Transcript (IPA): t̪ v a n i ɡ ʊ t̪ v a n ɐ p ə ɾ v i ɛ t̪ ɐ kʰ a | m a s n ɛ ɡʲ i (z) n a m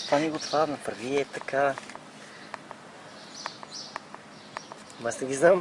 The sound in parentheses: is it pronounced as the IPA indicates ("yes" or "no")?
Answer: yes